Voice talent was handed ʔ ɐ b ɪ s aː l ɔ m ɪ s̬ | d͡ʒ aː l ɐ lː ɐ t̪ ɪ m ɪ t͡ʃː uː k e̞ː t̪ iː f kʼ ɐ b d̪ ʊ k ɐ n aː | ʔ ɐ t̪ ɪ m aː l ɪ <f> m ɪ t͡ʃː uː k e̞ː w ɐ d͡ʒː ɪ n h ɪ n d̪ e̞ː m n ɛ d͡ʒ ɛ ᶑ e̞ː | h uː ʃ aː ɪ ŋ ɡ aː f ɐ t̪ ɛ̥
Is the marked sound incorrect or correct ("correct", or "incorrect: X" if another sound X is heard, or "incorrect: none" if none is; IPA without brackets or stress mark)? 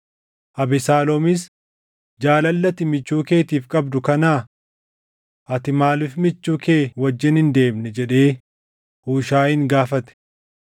correct